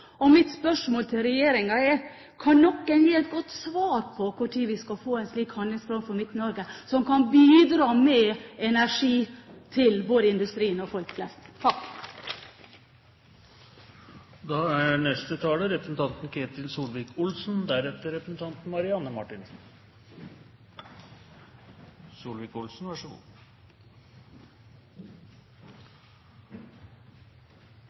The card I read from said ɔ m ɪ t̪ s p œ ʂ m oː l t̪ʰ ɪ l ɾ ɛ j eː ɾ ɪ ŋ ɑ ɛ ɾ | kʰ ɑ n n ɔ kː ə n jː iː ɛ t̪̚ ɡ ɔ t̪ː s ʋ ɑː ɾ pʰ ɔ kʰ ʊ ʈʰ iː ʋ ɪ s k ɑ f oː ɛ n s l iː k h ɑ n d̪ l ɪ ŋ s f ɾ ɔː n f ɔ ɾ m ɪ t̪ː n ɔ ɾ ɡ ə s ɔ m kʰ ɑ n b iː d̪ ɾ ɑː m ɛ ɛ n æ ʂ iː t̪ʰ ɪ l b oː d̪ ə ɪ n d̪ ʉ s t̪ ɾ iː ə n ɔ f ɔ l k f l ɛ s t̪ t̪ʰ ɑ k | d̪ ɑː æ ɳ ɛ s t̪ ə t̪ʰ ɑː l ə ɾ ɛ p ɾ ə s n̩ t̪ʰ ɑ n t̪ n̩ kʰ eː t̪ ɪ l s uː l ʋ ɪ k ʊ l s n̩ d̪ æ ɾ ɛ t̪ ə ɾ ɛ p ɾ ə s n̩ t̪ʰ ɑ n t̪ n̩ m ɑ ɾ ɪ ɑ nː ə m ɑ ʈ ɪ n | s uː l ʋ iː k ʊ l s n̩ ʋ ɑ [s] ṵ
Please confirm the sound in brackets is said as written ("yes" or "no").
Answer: no